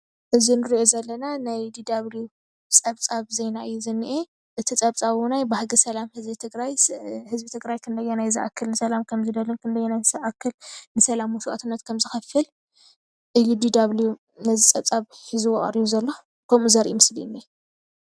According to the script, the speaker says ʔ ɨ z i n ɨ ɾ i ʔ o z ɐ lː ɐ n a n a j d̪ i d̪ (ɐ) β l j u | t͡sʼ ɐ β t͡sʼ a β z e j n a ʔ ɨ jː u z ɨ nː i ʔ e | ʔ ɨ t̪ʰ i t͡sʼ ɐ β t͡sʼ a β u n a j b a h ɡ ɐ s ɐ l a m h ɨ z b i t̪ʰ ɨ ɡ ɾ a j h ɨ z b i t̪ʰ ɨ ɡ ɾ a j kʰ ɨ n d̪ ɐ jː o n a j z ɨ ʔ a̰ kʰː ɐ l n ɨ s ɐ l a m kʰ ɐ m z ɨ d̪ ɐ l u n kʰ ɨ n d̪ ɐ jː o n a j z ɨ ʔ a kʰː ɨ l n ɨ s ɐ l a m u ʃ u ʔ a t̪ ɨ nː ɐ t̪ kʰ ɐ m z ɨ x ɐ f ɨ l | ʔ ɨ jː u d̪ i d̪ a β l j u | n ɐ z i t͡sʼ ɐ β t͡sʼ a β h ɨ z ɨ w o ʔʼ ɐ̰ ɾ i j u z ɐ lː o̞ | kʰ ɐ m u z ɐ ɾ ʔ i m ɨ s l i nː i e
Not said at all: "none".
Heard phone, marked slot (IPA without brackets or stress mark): a